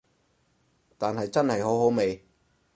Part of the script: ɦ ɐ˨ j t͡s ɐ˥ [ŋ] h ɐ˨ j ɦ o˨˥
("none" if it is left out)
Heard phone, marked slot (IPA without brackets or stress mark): n